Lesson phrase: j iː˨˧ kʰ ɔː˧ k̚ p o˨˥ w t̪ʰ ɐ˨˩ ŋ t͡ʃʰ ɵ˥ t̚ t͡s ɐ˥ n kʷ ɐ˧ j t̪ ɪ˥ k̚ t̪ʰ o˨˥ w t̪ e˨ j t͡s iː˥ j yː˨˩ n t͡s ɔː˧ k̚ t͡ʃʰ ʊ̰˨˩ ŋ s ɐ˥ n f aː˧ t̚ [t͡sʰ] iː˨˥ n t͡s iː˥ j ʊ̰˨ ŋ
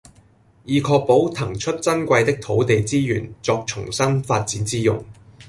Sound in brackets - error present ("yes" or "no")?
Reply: yes